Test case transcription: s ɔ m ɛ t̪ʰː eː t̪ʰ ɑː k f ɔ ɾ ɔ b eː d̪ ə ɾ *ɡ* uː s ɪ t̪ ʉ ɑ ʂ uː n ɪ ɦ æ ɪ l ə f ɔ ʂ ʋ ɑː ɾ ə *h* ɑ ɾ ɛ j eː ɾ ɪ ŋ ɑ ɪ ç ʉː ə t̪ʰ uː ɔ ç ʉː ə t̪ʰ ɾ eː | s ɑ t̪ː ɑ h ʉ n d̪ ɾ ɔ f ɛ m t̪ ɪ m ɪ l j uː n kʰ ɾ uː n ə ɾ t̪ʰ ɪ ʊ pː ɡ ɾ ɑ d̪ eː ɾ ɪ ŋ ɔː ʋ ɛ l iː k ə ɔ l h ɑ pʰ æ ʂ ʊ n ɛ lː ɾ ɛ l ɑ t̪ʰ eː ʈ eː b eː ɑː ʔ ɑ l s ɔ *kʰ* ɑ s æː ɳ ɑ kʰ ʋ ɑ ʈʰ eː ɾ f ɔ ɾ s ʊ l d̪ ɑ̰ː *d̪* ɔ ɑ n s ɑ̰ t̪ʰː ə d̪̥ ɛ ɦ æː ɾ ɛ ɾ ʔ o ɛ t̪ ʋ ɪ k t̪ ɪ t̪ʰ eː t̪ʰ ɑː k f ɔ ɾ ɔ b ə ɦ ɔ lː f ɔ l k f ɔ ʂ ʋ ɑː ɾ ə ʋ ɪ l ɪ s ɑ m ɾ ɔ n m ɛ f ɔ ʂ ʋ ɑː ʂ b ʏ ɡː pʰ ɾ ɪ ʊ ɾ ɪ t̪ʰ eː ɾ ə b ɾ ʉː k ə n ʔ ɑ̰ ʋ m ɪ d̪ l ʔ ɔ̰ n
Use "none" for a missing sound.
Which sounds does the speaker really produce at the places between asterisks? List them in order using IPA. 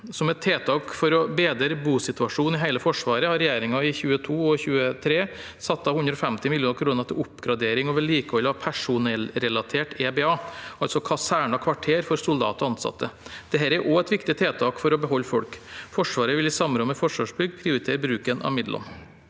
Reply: b, h, kʰ, t̪

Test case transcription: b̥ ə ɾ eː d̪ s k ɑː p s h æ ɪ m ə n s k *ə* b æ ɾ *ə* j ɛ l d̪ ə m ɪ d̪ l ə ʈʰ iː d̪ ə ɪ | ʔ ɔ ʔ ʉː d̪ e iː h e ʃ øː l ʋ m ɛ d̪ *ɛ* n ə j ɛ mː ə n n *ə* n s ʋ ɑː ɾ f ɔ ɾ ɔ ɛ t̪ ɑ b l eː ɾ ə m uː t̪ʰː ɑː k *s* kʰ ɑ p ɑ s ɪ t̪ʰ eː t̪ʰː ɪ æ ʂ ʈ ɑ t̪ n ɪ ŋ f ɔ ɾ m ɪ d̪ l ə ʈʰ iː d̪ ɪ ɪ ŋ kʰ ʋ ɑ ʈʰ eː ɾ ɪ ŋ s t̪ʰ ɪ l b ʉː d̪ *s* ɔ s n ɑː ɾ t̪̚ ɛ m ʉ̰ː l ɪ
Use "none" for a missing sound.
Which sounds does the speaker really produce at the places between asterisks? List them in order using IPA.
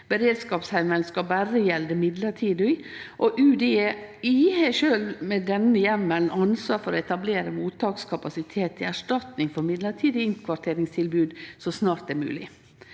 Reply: ɑ, ə, ɛ, ɑ, s, s

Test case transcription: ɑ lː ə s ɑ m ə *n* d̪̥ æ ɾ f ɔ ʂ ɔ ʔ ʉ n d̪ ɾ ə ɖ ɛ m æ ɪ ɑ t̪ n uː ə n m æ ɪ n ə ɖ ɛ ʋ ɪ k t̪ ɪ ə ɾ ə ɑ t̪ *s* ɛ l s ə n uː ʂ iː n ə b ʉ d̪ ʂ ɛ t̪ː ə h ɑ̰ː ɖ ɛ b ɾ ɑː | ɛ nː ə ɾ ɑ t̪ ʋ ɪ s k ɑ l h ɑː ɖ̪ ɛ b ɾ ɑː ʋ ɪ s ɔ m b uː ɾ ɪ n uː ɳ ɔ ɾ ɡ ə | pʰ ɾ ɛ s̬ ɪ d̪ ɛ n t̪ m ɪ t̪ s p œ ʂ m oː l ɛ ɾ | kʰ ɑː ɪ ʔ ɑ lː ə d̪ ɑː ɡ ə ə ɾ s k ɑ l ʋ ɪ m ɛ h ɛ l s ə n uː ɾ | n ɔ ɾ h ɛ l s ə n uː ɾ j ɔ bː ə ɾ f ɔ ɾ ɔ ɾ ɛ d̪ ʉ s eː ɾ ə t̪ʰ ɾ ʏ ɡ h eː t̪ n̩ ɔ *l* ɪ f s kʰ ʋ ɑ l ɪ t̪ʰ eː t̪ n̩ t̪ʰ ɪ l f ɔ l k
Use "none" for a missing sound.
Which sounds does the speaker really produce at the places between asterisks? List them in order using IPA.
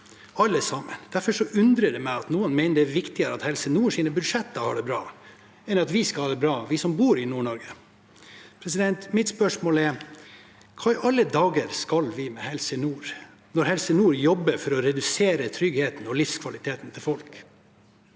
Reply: n, h, l

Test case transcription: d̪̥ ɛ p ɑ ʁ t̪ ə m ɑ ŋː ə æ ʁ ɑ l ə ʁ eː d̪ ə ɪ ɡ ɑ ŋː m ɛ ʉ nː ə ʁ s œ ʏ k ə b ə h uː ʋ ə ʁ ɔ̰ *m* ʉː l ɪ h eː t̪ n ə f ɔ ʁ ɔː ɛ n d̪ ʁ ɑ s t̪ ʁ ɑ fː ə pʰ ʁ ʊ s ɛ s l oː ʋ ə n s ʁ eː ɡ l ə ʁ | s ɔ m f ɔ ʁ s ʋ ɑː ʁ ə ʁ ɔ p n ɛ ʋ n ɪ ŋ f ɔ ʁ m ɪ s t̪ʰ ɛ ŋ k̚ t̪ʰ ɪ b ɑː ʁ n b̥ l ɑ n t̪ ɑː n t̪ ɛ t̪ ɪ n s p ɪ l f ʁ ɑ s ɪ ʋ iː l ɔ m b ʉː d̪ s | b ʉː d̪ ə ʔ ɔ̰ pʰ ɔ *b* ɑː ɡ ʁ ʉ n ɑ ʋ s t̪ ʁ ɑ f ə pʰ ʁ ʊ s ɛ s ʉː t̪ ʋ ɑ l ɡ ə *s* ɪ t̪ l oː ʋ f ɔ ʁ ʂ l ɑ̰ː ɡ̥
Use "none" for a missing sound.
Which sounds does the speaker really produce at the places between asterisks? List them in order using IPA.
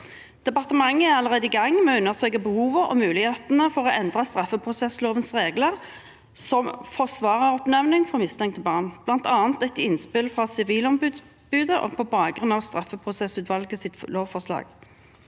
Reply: m, b, s

